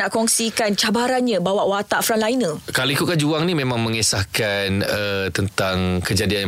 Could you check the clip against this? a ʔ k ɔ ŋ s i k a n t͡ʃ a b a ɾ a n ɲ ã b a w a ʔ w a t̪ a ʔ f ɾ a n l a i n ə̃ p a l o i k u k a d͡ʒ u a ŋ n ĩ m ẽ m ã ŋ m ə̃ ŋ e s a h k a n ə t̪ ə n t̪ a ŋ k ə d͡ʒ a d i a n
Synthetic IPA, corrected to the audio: a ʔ k ɔ ŋ s i k a n t͡ʃ a b a ɾ a n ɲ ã b a w a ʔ w a t̪ a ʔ f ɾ a n l a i n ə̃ k a l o i k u k a d͡ʒ u a ŋ n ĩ m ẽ m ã ŋ m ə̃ ŋ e s a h k a n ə t̪ ə n t̪ a ŋ k ə d͡ʒ a d i a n